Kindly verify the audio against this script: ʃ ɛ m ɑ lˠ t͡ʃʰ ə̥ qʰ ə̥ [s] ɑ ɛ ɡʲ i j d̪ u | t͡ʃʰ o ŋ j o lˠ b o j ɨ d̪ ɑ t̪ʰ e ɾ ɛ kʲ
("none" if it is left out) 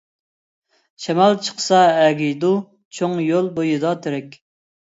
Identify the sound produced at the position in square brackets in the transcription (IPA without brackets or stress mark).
s